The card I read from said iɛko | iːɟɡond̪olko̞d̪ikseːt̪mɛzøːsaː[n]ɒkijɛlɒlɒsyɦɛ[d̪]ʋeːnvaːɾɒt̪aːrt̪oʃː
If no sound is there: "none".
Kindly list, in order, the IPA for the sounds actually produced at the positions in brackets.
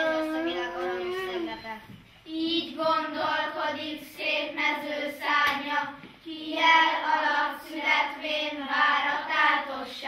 ɲ, t̪

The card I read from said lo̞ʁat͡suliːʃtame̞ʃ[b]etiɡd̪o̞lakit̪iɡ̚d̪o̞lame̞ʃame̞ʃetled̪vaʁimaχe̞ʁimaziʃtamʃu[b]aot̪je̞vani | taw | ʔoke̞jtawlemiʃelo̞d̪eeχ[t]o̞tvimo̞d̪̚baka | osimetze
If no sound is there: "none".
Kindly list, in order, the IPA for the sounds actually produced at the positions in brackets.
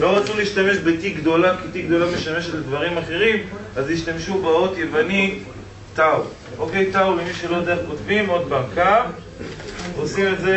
b, b, k

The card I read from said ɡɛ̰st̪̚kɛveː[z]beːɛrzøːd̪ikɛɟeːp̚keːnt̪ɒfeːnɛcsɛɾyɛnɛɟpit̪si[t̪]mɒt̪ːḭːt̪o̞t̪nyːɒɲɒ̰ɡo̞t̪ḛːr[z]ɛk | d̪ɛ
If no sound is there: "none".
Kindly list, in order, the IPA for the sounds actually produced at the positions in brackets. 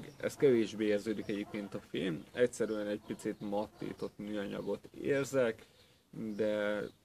ʒ, t̪, z

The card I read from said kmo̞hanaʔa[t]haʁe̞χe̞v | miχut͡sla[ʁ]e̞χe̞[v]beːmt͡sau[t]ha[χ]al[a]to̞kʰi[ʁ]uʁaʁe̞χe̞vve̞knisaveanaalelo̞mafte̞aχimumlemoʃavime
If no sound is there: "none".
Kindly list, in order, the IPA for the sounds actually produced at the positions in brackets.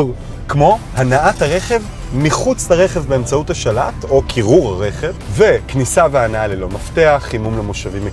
t, ʁ, v, t, ʃ, a, ʁ

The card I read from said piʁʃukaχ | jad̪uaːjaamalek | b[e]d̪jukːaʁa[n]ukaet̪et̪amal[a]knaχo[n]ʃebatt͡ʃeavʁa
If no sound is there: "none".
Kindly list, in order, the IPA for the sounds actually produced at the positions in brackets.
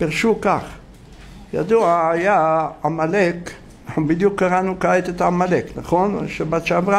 i, n, e, n

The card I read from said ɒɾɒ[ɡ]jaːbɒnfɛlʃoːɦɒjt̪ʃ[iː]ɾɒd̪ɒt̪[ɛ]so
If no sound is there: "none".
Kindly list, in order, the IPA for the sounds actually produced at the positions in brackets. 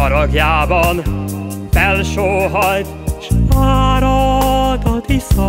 ɡ, aː, i

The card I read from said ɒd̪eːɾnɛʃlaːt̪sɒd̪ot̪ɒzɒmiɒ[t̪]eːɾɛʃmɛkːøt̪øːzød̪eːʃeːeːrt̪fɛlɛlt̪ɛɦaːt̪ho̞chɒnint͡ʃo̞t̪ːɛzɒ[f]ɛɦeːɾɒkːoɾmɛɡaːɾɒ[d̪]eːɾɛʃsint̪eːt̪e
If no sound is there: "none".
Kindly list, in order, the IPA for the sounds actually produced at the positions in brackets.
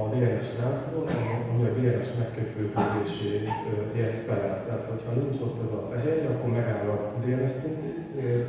d̪, f, d̪

